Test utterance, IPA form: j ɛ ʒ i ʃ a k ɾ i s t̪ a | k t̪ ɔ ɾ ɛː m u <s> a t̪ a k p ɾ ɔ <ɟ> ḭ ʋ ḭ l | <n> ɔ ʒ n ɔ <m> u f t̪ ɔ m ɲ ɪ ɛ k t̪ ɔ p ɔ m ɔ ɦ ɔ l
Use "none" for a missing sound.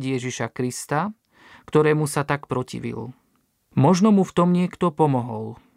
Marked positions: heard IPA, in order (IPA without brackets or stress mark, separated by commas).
s, c, m, m